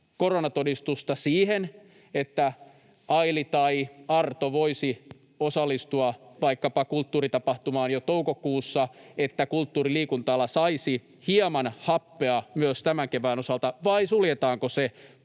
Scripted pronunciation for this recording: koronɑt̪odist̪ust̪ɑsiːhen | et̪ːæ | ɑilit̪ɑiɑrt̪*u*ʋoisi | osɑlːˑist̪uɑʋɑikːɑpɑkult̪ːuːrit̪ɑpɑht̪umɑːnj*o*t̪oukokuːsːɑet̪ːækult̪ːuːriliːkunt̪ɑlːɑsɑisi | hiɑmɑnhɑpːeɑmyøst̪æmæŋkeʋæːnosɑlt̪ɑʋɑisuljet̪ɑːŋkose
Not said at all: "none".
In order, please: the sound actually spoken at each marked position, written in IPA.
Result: o, o

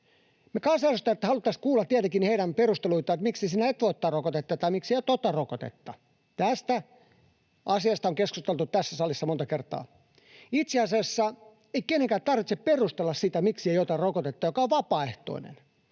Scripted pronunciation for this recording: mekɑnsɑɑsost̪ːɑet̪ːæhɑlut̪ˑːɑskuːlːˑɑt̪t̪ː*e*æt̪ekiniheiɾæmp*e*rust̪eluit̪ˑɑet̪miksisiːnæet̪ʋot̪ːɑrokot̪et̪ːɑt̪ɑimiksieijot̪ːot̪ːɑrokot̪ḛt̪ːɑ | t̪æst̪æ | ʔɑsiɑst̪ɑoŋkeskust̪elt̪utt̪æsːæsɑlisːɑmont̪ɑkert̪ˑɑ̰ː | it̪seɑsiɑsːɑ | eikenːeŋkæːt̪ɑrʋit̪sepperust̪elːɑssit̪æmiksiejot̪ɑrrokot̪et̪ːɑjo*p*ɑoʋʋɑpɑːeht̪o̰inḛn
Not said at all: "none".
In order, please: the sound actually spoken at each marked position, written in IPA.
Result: i, e, k

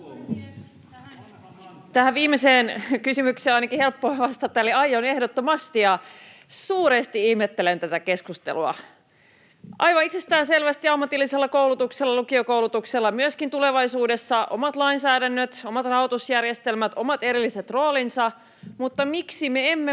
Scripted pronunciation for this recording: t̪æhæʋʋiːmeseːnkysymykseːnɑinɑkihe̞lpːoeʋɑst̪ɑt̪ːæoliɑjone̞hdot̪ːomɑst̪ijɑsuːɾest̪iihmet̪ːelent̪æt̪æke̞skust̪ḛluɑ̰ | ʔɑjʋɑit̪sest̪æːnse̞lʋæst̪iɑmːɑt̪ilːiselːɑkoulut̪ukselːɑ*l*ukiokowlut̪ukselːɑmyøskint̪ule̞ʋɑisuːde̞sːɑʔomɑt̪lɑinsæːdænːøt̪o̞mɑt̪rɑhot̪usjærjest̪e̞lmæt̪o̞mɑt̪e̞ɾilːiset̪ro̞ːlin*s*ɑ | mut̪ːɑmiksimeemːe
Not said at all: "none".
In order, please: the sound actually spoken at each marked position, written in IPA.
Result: l, s

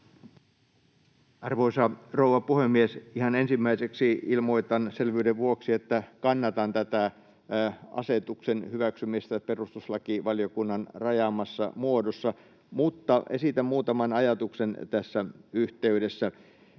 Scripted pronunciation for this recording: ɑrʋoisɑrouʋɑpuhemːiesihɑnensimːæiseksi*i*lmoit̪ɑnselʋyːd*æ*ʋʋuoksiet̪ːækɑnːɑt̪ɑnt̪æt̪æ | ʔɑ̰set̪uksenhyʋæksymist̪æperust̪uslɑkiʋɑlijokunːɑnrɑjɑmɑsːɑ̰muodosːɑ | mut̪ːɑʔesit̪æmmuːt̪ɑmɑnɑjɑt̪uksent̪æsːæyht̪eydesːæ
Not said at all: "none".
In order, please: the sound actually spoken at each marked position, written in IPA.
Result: i, e

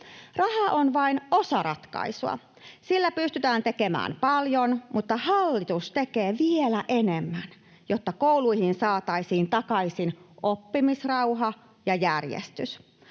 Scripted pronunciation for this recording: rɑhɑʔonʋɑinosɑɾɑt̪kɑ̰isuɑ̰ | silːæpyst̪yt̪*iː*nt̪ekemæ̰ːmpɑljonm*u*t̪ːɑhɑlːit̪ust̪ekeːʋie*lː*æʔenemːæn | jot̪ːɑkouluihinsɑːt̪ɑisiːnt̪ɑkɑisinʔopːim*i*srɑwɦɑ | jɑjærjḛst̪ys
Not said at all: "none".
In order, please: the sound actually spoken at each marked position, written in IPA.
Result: æː, u, l, i

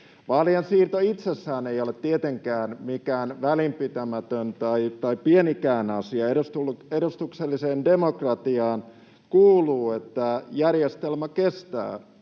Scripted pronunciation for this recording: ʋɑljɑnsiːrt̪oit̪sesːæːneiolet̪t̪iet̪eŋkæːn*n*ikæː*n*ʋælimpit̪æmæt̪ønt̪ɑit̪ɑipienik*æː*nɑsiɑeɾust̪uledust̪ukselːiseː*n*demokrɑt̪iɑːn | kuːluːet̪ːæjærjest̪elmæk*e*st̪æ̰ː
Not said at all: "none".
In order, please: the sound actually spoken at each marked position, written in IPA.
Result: m, n, æː, n, e

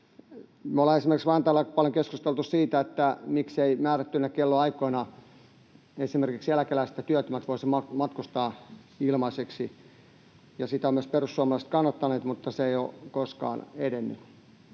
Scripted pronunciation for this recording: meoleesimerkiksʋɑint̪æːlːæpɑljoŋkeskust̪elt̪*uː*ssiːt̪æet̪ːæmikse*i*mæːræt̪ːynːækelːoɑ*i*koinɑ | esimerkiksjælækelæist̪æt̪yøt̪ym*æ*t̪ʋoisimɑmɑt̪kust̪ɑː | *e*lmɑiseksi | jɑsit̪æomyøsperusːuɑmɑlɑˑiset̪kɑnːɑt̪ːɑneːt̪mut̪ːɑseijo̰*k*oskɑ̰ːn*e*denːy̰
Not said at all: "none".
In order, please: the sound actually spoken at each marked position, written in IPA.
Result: u, i, i, æ, i, k, e

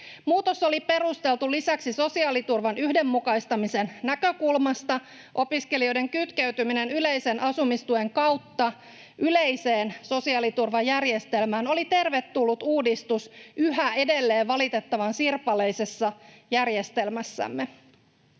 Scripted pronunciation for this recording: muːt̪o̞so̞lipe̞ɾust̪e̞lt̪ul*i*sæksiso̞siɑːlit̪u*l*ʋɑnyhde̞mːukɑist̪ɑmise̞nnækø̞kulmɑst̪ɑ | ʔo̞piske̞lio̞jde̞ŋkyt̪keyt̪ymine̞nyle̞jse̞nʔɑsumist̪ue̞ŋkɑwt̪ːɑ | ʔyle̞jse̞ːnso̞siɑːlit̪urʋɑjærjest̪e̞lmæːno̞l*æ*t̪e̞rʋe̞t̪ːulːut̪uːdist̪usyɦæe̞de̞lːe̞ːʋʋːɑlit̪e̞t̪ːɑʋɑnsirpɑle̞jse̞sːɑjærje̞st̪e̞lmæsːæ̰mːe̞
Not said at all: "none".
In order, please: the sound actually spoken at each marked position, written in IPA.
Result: i, r, i

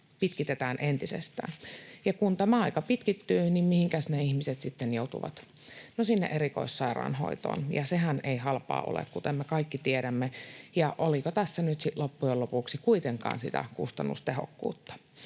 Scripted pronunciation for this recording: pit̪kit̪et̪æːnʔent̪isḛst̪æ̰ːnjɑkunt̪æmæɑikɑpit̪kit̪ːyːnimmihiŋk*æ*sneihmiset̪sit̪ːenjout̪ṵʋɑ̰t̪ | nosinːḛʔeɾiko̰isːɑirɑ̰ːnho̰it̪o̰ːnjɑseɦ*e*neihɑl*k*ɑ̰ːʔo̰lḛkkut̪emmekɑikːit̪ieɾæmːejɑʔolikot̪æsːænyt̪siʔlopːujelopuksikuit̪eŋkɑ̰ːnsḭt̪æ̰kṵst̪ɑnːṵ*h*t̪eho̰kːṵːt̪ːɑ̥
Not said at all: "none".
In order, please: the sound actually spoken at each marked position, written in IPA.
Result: æ, æ, p, s

